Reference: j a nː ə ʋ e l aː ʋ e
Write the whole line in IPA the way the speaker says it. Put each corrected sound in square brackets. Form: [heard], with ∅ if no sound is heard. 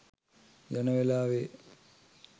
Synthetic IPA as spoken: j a [n] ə ʋ e l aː ʋ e